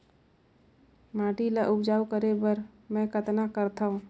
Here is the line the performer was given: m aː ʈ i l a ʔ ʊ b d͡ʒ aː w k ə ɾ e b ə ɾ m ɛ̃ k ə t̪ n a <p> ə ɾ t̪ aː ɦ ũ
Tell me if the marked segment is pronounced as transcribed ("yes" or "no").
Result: no